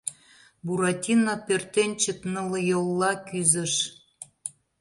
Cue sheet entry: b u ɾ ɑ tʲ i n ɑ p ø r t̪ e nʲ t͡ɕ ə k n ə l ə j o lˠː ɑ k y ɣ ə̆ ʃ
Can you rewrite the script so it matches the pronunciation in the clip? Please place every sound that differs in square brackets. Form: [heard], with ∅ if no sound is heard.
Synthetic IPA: b u ɾ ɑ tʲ i n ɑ p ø r t̪ e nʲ t͡ɕ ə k n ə l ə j o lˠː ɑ k y [z] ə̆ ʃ